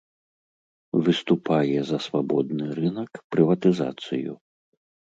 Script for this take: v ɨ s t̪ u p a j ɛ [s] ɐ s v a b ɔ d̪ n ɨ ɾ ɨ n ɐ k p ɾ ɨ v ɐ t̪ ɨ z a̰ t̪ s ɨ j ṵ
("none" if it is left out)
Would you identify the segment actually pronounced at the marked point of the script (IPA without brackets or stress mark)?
z